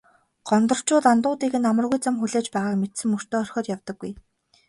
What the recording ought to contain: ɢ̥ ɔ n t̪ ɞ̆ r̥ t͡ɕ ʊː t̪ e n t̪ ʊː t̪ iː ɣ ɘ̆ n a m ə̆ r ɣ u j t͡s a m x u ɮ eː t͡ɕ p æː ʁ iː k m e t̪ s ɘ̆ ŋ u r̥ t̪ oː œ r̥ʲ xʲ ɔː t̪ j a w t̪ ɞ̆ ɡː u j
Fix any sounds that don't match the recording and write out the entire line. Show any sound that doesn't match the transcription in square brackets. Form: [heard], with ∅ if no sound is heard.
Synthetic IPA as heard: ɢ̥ ɔ n t̪ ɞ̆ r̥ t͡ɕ ʊː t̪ [a] n t̪ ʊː t̪ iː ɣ ɘ̆ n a m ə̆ r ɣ u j t͡s a m x u ɮ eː t͡ɕ p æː ʁ [aː] k m e t̪ s ɘ̆ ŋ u r̥ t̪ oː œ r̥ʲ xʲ ɔː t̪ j a w t̪ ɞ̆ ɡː u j